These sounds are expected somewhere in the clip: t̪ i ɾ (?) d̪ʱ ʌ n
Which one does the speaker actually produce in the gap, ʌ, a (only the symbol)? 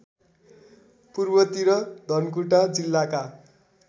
ʌ